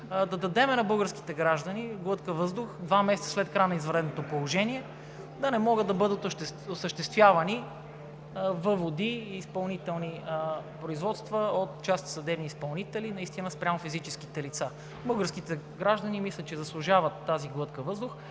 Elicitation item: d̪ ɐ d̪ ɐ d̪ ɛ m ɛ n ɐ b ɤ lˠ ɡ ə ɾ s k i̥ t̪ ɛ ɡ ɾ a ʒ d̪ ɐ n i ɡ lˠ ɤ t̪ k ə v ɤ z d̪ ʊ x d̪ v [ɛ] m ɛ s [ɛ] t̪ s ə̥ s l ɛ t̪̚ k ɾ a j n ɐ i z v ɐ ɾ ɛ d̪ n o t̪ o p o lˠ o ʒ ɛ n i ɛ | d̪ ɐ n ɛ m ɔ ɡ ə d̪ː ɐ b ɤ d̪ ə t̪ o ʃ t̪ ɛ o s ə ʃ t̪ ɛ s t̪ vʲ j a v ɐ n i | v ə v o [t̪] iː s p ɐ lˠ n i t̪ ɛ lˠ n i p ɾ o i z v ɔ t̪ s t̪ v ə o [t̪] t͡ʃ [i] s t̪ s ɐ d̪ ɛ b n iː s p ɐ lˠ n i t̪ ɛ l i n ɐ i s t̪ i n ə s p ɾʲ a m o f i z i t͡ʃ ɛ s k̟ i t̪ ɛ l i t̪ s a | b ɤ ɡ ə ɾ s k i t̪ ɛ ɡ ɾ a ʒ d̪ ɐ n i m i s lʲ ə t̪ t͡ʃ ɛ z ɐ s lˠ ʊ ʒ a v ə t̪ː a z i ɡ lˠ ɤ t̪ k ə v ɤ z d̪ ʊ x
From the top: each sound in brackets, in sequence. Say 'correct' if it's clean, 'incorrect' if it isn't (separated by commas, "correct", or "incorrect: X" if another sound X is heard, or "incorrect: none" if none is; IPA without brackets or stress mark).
incorrect: a, correct, incorrect: d̪, correct, incorrect: a